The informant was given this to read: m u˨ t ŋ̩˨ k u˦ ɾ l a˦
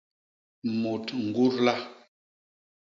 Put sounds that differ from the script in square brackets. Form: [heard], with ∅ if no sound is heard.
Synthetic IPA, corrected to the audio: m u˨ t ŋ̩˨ [ɡ] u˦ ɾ l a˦